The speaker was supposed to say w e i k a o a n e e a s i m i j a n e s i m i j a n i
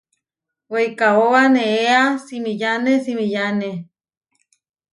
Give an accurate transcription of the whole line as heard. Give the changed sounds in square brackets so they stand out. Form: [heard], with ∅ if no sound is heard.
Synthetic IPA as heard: w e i k a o a n e e a s i m i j a n e s i m i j a n [e]